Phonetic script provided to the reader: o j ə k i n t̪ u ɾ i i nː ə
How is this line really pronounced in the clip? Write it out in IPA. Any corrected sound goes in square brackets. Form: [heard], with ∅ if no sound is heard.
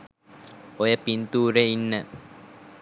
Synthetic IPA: o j ə [p] i n t̪ [uː] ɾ [e] i nː ə